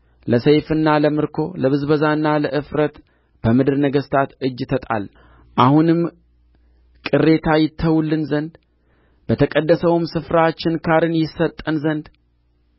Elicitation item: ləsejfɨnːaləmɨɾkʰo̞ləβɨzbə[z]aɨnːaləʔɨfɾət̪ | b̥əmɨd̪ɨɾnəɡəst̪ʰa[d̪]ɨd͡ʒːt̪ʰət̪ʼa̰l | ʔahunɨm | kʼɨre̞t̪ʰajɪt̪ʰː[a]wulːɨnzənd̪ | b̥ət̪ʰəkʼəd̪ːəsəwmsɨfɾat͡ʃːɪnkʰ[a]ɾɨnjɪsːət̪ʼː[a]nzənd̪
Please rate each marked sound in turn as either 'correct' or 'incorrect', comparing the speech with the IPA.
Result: correct, incorrect: t̪, incorrect: ə, correct, incorrect: ə

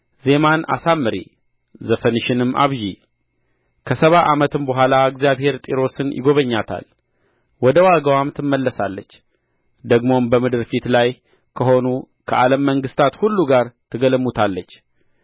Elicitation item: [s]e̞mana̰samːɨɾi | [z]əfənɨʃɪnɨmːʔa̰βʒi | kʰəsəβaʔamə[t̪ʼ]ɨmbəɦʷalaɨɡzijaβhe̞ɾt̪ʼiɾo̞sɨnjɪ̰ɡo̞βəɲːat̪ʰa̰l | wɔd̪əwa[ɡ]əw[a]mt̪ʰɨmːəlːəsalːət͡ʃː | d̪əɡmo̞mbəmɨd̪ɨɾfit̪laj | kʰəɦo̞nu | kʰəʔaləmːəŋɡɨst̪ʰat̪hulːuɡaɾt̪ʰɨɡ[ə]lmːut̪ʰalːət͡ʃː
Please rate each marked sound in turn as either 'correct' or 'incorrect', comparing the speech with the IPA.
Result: incorrect: z, correct, incorrect: t̪, correct, correct, correct

